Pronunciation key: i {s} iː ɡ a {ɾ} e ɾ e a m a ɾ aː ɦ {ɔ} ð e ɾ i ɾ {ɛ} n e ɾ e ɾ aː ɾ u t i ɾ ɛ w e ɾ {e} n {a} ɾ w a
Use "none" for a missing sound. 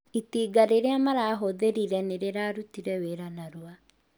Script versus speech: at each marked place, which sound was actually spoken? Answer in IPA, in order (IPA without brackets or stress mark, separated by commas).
t, ɾ, o, ɛ, a, a